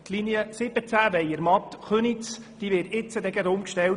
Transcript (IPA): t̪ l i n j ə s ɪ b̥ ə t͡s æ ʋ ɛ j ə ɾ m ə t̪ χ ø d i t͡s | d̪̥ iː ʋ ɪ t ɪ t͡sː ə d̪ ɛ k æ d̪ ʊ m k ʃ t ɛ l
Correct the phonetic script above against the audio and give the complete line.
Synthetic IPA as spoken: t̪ l i n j ə s ɪ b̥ ə t͡s æ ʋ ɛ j ə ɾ m ɑ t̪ χ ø n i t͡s | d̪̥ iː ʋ ɪ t ɪ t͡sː ə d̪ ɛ ɡ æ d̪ ʊ m k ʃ t ɛ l